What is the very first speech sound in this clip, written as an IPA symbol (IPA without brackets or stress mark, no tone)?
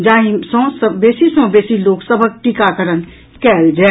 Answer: d͡ʒ